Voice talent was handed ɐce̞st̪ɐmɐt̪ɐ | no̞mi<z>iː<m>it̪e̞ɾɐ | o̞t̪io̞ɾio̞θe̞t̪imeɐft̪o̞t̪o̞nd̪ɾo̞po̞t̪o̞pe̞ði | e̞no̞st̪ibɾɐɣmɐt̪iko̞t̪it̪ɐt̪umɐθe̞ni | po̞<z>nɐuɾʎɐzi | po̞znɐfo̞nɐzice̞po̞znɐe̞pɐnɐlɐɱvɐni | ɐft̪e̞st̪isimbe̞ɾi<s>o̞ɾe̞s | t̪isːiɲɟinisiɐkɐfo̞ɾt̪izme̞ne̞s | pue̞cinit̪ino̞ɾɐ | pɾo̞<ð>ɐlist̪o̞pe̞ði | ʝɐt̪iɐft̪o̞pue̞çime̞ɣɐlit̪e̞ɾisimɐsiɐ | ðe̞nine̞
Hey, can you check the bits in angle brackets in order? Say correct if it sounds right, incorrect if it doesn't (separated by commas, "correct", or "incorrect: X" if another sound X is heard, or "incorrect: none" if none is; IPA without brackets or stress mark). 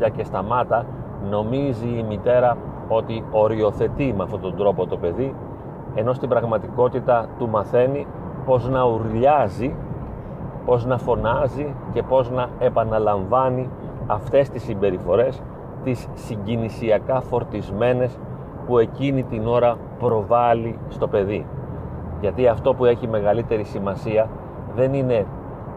correct, correct, correct, incorrect: f, incorrect: v